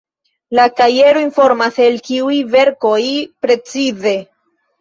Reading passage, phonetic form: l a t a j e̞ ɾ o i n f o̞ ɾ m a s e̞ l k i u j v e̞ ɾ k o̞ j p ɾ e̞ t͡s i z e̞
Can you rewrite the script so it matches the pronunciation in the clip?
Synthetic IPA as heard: l a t a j e̞ ɾ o i n f o̞ ɾ m a s e̞ l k i u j v e̞ ɾ k o̞ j p ɾ e̞ t͡s i z e̞